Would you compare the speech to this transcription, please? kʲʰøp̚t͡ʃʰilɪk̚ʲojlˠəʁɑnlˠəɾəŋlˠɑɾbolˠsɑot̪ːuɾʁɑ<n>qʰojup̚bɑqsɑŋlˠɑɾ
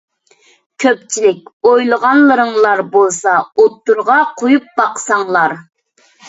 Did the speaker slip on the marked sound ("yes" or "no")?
yes